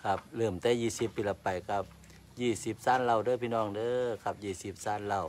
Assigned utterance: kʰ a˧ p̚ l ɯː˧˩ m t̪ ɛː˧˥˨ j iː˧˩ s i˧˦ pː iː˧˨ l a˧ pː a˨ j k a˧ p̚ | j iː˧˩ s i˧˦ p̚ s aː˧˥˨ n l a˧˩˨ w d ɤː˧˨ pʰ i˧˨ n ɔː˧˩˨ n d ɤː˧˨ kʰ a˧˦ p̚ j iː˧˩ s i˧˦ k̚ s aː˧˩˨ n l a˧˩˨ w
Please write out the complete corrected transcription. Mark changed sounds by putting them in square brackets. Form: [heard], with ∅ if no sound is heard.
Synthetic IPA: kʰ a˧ p̚ l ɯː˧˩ m t̪ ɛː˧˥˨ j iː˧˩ s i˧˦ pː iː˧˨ l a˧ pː a˨ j k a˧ p̚ | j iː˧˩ s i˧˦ p̚ s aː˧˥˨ n l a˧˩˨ w d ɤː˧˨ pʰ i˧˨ n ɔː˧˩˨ [ŋ] d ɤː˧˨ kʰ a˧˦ p̚ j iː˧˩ s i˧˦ [p̚] s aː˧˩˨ n l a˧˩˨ w